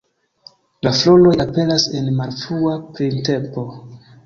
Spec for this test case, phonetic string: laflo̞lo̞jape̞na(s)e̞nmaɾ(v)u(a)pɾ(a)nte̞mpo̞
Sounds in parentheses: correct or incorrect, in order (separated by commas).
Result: correct, incorrect, correct, incorrect